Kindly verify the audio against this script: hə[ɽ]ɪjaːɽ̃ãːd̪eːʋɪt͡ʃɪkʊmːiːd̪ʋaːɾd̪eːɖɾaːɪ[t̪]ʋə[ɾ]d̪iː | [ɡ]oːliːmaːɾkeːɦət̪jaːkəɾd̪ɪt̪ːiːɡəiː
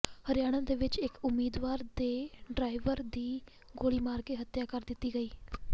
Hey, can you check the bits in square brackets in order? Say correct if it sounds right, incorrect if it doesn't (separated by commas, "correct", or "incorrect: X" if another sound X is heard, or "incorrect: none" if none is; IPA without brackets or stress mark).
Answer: incorrect: ɾ, incorrect: none, correct, correct